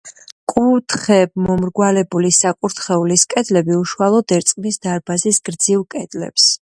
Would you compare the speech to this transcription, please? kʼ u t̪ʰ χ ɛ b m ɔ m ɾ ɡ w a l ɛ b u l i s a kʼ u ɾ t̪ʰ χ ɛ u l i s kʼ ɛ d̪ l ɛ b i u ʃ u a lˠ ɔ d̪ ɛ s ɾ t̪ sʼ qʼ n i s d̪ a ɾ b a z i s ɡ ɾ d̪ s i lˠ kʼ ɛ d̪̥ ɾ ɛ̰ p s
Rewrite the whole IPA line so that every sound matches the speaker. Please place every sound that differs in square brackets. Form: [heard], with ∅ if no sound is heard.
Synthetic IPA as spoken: kʼ u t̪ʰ χ ɛ b m ɔ m ɾ ɡ w a l ɛ b u l i s a kʼ u ɾ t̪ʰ χ ɛ u l i s kʼ ɛ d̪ l ɛ b i u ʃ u a lˠ ɔ d̪ ɛ [∅] ɾ t̪ sʼ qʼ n i s d̪ a ɾ b a z i s ɡ ɾ d̪ [z] i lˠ kʼ ɛ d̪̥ [l] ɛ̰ p s